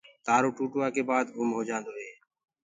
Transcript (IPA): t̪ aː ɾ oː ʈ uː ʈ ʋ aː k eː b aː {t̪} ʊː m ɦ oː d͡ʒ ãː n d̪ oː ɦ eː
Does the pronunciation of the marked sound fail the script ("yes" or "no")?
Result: yes